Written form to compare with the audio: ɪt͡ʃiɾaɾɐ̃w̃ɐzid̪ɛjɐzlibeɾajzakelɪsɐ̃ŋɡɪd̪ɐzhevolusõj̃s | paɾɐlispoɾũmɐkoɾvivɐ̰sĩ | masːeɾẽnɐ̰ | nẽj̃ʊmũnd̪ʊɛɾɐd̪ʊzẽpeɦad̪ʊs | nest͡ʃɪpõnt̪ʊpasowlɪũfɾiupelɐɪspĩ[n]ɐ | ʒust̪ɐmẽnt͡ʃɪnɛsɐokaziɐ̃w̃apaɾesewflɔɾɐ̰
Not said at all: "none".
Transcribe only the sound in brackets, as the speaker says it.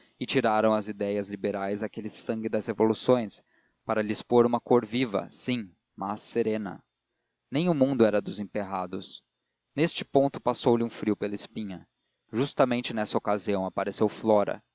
ɲ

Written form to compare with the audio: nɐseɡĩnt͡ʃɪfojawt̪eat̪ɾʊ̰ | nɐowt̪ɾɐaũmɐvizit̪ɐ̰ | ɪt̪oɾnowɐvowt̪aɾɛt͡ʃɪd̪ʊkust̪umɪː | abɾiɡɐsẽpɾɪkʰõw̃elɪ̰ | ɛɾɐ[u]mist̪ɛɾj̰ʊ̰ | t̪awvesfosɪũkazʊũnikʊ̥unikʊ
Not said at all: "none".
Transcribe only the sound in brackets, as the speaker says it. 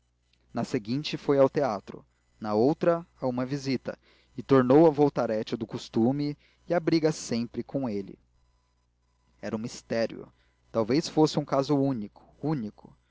ũ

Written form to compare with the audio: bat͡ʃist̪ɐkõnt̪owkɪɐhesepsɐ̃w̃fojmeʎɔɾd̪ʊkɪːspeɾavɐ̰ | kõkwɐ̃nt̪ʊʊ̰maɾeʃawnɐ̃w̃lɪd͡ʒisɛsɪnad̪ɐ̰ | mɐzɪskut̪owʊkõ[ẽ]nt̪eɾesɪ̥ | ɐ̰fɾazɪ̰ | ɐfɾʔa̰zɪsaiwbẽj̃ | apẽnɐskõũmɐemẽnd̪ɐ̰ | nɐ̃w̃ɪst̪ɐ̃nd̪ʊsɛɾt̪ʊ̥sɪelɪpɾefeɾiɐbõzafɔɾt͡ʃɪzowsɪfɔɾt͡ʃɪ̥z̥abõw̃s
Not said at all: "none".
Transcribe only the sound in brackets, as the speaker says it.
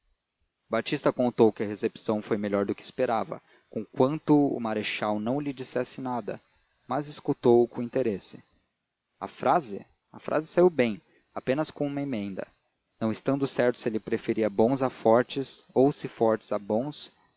ĩ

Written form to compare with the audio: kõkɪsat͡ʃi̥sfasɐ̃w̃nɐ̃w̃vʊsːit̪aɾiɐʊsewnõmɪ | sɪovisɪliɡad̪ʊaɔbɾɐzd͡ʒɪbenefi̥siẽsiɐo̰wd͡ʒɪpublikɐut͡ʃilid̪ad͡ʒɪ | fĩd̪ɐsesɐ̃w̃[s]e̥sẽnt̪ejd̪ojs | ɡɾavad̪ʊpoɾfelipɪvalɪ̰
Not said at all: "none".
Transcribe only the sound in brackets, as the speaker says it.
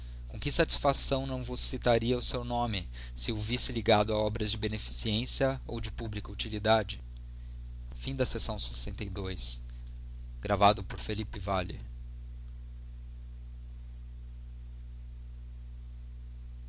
s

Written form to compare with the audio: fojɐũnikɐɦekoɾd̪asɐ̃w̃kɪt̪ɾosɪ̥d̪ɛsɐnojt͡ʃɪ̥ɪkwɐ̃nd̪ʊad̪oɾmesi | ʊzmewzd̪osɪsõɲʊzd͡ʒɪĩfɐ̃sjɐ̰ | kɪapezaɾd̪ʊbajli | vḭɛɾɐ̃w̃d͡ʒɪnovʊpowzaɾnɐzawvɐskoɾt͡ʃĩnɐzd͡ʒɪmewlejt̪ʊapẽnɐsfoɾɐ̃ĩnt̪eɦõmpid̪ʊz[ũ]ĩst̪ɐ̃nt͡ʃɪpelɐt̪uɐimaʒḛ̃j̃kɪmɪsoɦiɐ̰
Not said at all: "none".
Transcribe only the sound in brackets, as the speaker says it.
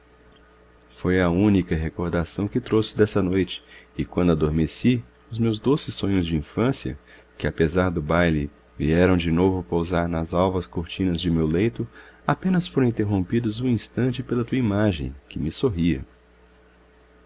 ũ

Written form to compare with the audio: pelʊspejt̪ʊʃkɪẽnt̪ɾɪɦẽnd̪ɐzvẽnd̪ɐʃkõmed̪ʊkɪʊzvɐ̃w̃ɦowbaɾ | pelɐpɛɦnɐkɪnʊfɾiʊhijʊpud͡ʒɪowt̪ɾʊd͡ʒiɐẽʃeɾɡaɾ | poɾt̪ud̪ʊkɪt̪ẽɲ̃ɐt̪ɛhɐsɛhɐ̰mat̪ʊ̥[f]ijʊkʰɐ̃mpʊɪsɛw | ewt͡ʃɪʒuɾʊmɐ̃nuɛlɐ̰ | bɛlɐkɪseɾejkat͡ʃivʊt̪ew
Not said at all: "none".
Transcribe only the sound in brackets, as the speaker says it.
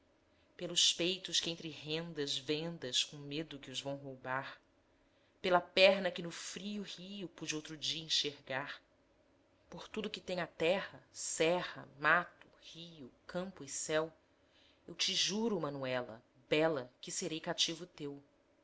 h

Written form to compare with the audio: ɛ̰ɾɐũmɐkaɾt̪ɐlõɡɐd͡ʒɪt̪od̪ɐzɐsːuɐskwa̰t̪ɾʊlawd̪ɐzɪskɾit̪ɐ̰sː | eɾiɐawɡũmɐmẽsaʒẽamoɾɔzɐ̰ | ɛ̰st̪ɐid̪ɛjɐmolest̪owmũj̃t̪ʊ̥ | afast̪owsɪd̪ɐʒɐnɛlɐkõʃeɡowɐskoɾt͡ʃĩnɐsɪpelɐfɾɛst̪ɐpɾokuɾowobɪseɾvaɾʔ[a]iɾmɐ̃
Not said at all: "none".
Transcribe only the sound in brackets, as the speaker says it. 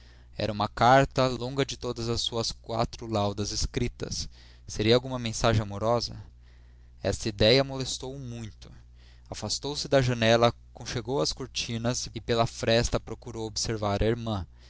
ɐ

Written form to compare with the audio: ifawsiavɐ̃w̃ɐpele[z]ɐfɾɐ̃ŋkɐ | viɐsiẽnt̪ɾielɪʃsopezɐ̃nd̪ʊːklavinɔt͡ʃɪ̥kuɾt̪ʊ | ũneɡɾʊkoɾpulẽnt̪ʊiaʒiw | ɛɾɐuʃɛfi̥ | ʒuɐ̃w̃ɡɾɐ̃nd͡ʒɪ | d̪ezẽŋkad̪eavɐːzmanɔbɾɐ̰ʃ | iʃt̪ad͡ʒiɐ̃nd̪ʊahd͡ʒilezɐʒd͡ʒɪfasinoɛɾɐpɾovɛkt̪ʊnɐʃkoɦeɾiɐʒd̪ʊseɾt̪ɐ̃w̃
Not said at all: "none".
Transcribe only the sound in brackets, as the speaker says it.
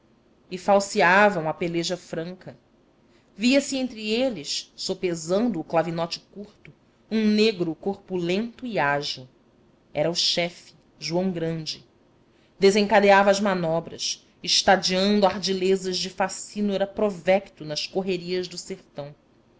ʒ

